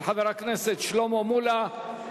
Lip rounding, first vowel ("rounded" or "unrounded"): unrounded